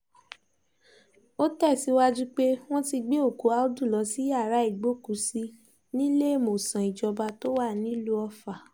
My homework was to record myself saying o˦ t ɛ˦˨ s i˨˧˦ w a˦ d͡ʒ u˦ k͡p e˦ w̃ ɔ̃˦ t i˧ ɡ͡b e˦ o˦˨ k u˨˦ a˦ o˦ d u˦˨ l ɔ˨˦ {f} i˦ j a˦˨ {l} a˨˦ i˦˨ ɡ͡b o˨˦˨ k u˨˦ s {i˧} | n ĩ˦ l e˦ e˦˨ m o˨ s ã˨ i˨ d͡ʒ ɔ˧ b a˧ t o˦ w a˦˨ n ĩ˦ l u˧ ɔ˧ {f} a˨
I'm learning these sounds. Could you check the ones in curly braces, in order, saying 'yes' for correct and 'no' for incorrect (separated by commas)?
no, no, yes, yes